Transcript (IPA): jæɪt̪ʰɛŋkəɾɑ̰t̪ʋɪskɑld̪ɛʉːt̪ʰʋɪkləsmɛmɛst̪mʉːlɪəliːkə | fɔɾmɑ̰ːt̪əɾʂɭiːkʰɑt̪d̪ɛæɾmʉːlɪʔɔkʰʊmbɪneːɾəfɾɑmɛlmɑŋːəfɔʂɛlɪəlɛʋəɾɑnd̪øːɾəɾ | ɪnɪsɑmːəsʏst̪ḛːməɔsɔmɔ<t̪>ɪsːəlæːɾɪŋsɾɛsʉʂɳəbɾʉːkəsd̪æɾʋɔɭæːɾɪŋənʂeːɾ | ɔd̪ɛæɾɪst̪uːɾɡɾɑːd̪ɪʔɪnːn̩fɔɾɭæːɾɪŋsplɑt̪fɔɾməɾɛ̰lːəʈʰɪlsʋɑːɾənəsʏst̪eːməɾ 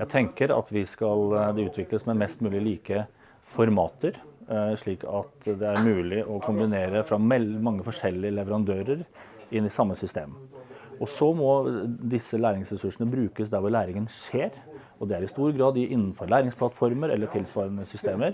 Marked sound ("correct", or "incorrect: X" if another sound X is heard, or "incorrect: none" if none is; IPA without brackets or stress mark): incorrect: d̪